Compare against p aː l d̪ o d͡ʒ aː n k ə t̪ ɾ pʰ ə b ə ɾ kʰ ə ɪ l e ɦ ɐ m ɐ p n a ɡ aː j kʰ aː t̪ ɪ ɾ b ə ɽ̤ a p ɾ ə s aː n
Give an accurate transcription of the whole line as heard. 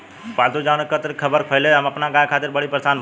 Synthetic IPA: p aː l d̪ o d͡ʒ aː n k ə t̪ ɾ kʰ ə b ə ɾ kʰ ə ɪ l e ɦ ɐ m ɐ p n a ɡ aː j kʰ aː t̪ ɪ ɾ b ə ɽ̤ i p ɾ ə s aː n